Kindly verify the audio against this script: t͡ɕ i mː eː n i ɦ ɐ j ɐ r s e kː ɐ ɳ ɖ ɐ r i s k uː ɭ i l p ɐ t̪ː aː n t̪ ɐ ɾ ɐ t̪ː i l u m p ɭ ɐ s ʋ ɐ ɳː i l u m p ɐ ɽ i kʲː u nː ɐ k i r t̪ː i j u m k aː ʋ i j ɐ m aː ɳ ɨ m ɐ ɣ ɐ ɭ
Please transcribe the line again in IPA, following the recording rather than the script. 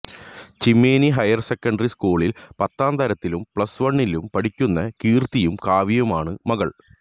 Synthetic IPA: t͡ɕ i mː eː n i ɦ ɐ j ɐ r s e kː ɐ ɳ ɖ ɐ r i s k uː ɭ i l p ɐ t̪ː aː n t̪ ɐ ɾ ɐ t̪ː i l u m p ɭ ɐ s ʋ ɐ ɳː i l u m p ɐ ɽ i kʲː u nː ɐ k iː r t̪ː i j u m k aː ʋ i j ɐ m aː ɳ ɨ m ɐ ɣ ɐ ɭ

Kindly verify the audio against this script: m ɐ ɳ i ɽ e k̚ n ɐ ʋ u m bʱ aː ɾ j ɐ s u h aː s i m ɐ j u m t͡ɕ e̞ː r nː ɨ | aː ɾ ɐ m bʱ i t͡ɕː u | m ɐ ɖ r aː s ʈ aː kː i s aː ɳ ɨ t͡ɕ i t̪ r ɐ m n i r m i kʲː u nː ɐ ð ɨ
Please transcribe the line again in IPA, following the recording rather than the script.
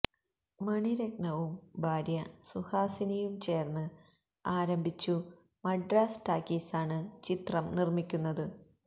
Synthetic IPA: m ɐ ɳ i ɾ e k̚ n ɐ ʋ u m bʱ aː ɾ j ɐ s u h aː s i n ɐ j u m t͡ɕ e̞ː r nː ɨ | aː ɾ ɐ m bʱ i t͡ɕː u | m ɐ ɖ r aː s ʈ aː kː i s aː ɳ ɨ t͡ɕ i t̪ r ɐ m n i r m i kʲː u nː ɐ ð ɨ

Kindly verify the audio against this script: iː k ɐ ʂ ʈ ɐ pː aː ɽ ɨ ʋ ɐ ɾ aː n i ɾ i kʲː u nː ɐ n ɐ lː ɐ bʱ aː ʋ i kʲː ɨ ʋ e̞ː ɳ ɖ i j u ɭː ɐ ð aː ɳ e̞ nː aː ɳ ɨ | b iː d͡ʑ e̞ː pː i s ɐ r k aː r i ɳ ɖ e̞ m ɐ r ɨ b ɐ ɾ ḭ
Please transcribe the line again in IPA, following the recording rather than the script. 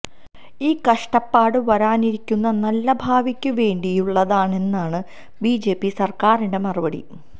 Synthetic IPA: iː k ɐ ʂ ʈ ɐ pː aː ɽ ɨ ʋ ɐ ɾ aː n i ɾ i kʲː u nː ɐ n ɐ lː ɐ bʱ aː ʋ i kʲː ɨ ʋ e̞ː ɳ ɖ i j u ɭː ɐ ð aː ɳ e̞ nː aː ɳ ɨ | b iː d͡ʑ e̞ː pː i s ɐ r k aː r i ɳ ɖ e̞ m ɐ r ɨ b ɐ ɽ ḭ

